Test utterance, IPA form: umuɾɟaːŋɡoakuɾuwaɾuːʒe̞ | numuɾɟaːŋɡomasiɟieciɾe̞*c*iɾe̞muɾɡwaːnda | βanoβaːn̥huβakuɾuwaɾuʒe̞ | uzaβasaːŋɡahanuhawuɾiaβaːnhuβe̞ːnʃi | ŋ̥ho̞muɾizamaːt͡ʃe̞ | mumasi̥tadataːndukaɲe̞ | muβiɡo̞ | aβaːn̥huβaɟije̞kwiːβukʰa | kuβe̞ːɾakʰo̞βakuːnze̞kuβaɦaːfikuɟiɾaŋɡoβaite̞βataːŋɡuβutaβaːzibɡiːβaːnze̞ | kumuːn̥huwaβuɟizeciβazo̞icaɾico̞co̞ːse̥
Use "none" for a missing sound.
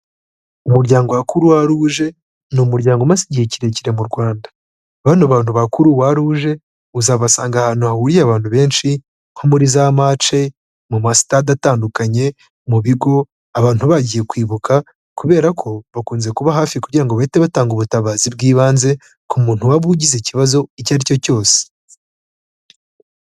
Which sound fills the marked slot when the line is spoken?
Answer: c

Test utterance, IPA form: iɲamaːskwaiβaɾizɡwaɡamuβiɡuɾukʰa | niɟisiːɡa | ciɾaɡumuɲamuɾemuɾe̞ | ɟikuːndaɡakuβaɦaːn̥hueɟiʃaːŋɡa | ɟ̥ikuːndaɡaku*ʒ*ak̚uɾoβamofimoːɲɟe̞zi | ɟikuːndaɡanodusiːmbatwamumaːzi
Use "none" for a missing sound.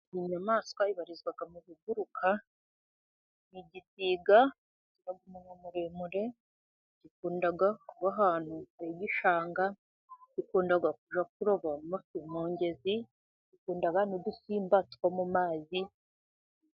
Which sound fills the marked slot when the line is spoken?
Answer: ʒ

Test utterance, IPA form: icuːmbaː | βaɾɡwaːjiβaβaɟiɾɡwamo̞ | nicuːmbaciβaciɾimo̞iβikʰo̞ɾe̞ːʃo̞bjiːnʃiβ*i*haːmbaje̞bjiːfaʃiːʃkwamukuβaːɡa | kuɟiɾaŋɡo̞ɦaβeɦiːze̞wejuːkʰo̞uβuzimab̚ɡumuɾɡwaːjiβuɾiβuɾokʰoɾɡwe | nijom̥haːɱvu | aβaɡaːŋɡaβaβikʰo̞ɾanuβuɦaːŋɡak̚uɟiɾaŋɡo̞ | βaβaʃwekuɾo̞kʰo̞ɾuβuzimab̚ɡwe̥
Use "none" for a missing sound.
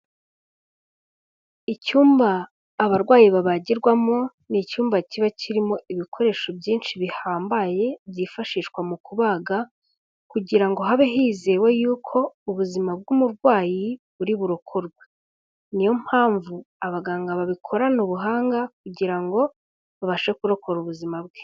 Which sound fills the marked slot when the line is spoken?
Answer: i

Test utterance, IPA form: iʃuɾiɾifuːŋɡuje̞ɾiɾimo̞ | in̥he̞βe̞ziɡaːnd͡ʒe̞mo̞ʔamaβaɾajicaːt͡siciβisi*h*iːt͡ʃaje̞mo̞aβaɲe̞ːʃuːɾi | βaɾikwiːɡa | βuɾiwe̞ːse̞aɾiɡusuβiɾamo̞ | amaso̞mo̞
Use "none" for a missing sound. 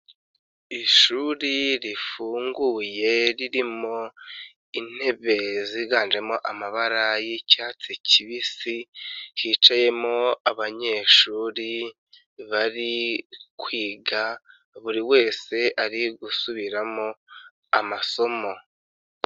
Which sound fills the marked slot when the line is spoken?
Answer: h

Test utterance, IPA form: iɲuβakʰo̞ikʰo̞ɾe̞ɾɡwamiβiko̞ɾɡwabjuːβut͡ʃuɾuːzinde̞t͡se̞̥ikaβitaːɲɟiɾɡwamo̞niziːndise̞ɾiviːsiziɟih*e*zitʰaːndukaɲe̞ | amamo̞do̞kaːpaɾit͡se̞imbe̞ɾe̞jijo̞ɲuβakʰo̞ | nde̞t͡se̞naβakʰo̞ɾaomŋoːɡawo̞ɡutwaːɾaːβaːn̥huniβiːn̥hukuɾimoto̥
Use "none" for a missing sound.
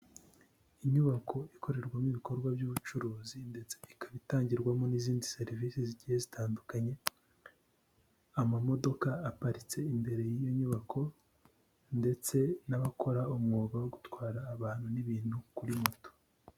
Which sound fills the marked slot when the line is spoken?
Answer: e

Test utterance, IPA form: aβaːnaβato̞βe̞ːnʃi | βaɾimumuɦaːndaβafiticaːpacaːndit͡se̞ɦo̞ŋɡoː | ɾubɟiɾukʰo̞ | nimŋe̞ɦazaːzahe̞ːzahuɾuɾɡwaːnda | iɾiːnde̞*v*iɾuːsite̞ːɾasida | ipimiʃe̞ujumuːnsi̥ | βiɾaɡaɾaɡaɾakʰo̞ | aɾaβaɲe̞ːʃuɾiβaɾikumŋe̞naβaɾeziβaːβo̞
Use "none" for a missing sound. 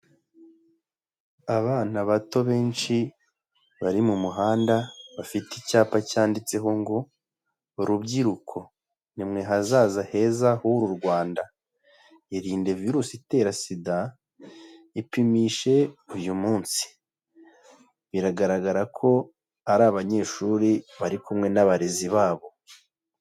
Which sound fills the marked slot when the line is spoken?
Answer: v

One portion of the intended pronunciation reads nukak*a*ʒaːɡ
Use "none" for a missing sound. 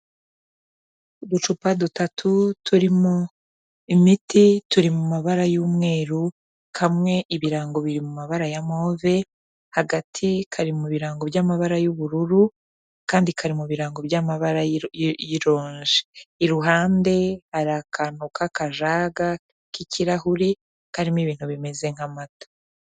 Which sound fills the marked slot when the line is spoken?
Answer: a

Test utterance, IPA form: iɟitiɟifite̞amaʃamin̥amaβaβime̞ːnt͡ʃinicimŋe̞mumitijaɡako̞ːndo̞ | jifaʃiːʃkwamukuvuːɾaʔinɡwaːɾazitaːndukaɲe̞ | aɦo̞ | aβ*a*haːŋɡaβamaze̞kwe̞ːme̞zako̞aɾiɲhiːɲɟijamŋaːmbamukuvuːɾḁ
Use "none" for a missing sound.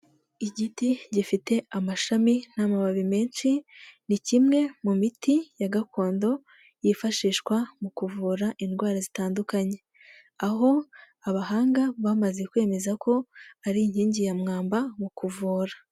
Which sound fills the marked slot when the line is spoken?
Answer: a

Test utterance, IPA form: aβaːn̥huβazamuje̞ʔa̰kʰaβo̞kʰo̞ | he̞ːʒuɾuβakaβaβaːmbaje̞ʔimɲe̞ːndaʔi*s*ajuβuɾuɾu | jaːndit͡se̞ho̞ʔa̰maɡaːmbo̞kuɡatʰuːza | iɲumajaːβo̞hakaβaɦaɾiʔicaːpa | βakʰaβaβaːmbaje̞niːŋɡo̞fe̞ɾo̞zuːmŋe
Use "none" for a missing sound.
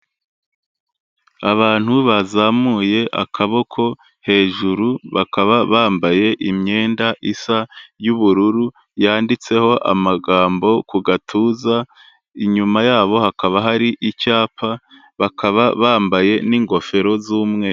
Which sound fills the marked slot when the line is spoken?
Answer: s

